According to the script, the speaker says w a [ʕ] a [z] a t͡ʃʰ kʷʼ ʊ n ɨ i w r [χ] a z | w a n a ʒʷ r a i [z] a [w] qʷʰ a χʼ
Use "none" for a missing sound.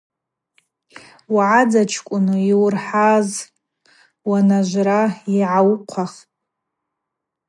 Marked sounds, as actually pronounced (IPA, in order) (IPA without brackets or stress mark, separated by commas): ʕ, d͡z, ħ, ʕ, w